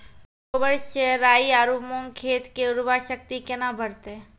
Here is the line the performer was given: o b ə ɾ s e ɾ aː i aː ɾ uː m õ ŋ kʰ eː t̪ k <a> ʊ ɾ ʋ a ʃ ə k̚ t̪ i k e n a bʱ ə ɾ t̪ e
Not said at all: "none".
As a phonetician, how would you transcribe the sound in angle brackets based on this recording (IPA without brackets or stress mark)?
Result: e